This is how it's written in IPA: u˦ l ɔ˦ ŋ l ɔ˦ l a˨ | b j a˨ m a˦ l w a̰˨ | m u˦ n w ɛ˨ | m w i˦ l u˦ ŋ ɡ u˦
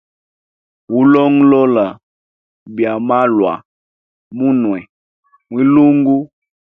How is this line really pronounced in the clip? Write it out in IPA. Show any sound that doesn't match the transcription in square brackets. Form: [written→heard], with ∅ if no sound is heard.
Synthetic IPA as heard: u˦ l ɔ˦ ŋ l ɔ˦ l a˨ | b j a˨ m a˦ l w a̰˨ | m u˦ n w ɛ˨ | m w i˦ l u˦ ŋ ɡ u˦

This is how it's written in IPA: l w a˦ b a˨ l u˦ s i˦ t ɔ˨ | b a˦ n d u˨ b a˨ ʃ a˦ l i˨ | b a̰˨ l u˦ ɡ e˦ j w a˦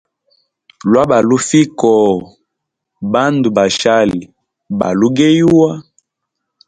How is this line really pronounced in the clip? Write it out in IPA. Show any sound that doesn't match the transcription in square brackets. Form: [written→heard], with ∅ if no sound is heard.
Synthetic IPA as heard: l w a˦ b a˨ l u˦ [s→f] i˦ [t→k] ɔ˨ | b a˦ n d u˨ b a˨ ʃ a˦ l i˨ | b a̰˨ l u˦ ɡ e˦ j w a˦

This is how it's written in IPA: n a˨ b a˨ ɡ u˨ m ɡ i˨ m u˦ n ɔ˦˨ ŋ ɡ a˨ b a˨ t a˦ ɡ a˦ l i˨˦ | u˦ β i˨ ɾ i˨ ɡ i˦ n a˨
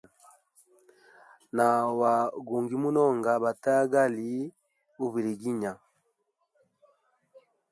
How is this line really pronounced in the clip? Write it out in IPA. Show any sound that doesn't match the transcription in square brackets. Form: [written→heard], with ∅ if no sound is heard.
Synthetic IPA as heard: n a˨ [b→w] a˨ ɡ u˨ [m→ŋ] ɡ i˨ m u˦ n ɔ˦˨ ŋ ɡ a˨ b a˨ t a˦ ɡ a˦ l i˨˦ | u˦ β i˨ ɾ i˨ ɡ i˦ [n→ɲ] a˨

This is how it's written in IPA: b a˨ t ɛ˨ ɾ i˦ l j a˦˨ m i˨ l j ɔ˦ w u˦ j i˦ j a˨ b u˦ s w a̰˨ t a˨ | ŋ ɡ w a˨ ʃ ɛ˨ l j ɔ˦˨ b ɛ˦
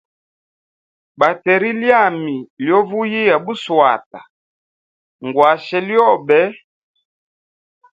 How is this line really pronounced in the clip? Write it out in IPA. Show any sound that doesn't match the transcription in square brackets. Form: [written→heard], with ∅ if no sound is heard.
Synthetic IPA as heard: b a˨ t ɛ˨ ɾ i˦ l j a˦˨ m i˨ l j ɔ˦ [w→v] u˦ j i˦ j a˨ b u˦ s w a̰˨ t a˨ | ŋ ɡ w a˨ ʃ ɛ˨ l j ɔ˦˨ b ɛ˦

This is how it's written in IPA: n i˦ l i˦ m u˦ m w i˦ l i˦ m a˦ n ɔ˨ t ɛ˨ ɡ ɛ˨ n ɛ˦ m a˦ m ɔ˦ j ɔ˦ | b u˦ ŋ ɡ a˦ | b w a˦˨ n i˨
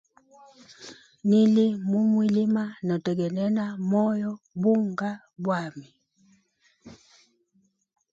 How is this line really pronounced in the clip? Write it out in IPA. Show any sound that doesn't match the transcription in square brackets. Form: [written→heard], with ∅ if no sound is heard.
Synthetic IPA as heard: n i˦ l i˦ m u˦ m w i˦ l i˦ m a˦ n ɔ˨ t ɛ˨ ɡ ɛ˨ n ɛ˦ [m→n] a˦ m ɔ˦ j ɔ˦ | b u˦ ŋ ɡ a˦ | b w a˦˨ [n→m] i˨

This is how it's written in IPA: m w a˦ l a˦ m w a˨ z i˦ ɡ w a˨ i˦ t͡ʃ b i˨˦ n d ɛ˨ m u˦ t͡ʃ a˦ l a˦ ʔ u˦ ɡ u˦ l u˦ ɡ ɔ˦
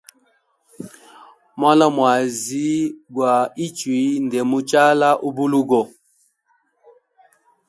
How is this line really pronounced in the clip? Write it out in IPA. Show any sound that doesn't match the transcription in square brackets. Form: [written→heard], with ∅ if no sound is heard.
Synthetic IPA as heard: m w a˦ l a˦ m w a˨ z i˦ ɡ w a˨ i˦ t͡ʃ [b→w] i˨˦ n d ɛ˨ m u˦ t͡ʃ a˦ l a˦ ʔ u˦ [ɡ→b] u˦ l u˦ ɡ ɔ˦

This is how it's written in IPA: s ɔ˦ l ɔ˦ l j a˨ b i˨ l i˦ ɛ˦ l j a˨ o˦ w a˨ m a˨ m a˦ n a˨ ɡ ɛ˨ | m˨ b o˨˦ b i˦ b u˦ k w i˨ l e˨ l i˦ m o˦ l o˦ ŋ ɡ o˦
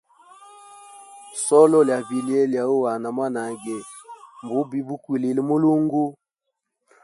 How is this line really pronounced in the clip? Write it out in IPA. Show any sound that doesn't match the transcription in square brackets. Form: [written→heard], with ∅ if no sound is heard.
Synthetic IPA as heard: s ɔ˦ l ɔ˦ l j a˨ b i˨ l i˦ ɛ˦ l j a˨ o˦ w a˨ [m→n] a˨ m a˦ n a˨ ɡ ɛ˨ | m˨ b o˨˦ b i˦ b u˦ k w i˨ l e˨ l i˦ m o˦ l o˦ ŋ ɡ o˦

